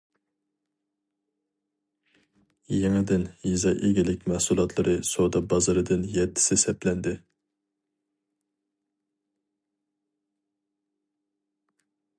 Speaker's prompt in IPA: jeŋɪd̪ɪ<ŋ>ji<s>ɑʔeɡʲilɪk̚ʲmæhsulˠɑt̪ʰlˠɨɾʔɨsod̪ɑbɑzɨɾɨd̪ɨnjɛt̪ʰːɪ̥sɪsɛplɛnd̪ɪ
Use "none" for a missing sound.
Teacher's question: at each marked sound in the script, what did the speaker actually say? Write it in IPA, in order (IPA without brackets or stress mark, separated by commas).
n, z